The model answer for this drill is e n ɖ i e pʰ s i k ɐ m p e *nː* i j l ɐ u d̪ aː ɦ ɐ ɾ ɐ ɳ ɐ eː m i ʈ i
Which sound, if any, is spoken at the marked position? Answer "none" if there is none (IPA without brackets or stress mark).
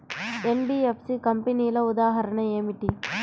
n